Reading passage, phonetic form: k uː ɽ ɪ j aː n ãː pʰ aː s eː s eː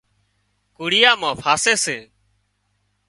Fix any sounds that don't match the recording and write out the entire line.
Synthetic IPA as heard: k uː ɽ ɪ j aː m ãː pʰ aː s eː s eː